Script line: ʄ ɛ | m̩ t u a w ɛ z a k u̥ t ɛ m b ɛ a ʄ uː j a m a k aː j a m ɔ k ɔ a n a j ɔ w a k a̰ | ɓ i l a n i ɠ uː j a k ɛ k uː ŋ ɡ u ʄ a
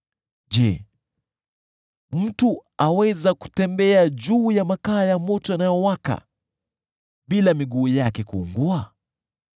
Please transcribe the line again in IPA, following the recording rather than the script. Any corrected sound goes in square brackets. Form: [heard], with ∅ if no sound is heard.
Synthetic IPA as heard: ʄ ɛ | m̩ t u a w ɛ z a k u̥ t ɛ m b ɛ a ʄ uː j a m a k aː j a m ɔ [t] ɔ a n a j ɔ w a k a̰ | ɓ i l a [m] i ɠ uː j a k ɛ k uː ŋ ɡ u [∅] a